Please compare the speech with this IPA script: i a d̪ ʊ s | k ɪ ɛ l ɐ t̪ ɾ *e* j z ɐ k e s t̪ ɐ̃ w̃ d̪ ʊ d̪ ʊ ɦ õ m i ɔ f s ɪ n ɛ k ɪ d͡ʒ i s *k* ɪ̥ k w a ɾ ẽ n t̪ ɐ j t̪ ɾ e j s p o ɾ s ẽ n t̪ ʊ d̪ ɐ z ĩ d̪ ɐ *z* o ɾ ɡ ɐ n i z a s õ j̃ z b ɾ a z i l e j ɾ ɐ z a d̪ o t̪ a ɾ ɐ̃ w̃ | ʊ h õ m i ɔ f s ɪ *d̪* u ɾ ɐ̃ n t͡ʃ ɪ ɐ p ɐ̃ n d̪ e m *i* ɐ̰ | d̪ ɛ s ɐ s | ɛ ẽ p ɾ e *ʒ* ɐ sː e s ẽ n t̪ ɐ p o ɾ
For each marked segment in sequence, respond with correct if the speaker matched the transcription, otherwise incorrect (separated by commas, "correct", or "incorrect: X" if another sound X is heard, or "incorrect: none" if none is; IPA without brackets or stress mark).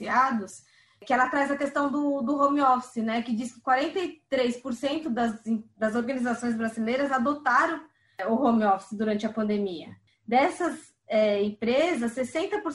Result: incorrect: a, correct, correct, correct, correct, incorrect: z